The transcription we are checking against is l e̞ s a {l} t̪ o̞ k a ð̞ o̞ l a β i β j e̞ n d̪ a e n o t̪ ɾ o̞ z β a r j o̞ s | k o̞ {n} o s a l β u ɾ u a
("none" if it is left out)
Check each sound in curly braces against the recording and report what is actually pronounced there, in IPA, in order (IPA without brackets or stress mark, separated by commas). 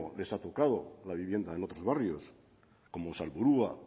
none, m